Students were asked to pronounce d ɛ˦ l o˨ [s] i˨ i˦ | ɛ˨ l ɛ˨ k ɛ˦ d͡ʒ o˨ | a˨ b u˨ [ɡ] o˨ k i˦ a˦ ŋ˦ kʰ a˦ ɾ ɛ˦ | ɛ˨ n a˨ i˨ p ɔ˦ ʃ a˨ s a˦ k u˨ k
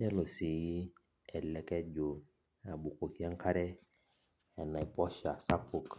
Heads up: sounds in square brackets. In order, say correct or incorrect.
correct, incorrect

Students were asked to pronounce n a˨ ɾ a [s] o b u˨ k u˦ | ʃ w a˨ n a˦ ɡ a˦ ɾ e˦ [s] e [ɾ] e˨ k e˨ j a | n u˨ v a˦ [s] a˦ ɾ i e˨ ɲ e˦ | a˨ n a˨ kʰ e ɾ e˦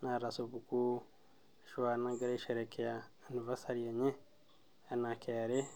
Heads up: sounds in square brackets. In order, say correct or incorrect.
correct, incorrect, correct, correct

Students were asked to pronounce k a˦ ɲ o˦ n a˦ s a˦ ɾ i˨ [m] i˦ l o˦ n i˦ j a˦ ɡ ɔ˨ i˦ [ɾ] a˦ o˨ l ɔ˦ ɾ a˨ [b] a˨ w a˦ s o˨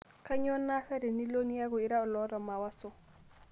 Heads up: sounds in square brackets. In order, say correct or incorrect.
incorrect, correct, incorrect

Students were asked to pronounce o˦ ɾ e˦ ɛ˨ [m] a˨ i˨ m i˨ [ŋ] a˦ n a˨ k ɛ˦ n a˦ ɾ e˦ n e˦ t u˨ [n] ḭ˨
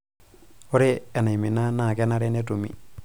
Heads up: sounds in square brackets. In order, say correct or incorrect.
incorrect, incorrect, incorrect

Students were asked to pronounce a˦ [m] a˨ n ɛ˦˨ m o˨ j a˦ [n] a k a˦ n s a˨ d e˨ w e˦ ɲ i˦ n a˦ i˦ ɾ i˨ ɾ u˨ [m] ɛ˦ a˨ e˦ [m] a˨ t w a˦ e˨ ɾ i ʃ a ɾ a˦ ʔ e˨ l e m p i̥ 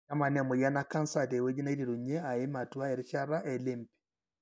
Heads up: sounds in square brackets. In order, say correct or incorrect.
correct, correct, incorrect, correct

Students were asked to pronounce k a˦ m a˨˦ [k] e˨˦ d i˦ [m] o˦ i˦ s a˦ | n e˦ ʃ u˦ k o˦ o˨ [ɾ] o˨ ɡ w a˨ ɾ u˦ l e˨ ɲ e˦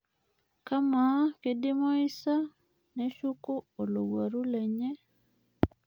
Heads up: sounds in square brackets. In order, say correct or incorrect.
correct, correct, incorrect

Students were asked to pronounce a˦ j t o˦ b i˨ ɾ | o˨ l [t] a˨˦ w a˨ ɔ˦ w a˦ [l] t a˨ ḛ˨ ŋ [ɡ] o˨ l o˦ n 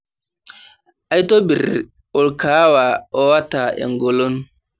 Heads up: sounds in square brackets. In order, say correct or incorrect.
incorrect, incorrect, correct

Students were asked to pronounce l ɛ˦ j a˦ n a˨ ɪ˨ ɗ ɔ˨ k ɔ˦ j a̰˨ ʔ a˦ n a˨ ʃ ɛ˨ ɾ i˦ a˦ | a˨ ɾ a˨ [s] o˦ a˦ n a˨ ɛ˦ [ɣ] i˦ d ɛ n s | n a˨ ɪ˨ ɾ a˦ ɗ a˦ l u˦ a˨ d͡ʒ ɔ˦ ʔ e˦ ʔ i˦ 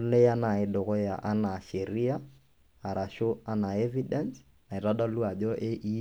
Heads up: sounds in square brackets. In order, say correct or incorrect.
incorrect, incorrect

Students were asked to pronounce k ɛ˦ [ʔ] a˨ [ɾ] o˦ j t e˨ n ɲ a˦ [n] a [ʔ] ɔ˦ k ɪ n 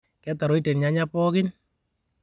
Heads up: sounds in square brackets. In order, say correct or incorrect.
incorrect, correct, incorrect, incorrect

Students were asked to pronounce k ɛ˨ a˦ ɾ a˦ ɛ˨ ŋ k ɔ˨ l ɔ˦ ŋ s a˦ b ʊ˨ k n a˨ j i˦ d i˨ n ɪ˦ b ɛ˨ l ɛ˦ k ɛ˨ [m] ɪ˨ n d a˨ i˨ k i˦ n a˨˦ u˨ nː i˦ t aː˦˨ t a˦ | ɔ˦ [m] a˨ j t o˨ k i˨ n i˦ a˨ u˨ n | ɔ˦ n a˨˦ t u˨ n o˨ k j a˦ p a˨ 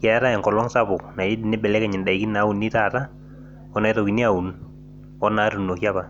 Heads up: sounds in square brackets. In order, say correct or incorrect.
incorrect, incorrect

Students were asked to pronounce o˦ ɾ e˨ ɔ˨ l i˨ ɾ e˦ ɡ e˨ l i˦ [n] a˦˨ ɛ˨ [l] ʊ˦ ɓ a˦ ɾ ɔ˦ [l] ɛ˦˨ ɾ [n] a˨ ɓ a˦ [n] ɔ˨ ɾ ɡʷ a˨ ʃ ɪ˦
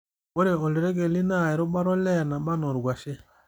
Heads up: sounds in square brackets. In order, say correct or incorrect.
correct, incorrect, correct, correct, correct

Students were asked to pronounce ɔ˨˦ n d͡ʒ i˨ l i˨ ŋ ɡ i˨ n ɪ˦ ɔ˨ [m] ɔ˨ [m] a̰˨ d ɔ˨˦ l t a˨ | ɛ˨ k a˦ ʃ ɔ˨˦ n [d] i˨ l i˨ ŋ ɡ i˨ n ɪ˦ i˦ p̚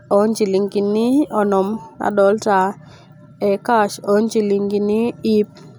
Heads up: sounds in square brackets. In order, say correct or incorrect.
incorrect, correct, incorrect

